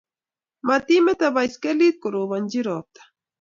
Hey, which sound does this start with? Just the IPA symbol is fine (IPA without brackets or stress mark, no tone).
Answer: m